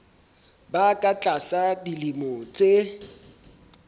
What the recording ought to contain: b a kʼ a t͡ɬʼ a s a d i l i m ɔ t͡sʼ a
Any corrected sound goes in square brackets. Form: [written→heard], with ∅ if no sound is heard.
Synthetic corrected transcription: b a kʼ a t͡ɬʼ a s a d i l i m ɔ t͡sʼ [a→e]